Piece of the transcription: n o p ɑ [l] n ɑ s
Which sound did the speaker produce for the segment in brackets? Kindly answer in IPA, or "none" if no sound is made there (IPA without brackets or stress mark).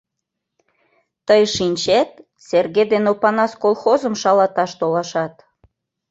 none